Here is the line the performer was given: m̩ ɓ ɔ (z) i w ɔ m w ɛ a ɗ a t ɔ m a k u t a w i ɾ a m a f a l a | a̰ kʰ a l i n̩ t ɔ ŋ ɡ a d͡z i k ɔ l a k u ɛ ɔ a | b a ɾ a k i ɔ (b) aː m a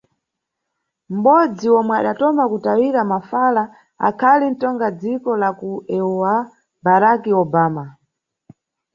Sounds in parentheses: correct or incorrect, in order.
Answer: incorrect, correct

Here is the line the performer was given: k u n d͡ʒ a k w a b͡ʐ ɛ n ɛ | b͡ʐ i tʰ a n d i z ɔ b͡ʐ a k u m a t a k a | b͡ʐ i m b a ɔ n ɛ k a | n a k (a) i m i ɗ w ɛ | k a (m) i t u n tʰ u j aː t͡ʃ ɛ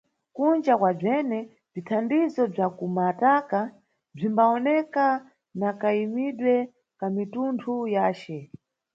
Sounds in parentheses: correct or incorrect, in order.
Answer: correct, correct

